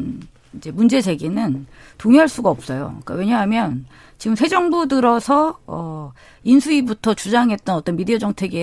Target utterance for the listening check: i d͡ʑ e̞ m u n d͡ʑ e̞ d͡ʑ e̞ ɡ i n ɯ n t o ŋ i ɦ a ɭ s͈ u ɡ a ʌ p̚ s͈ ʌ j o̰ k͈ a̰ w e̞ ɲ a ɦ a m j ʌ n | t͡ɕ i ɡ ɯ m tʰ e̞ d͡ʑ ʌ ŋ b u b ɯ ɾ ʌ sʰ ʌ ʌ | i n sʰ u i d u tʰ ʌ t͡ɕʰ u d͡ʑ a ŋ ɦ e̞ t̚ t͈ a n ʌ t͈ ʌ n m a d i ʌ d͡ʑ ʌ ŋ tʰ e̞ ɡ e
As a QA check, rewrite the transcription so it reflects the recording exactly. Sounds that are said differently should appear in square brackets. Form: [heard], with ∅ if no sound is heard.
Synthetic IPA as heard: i d͡ʑ e̞ m u n d͡ʑ e̞ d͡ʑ e̞ ɡ i n ɯ n t o ŋ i ɦ a ɭ s͈ u ɡ a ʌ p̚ s͈ ʌ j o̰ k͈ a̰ w e̞ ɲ a ɦ a m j ʌ n | t͡ɕ i ɡ ɯ m [sʰ] e̞ d͡ʑ ʌ ŋ b u [d] ɯ ɾ ʌ sʰ ʌ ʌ | i n sʰ u i [b] u tʰ ʌ [t͡ɕ] u d͡ʑ a ŋ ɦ e̞ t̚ t͈ [ʌ] n ʌ t͈ ʌ n m [i] d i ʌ d͡ʑ ʌ ŋ tʰ e̞ ɡ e